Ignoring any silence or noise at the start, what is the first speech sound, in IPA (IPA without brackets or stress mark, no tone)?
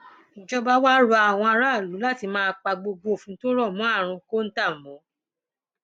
d͡ʒ